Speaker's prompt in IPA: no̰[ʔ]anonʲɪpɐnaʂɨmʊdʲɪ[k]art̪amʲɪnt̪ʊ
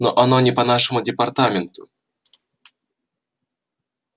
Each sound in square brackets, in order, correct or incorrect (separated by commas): correct, incorrect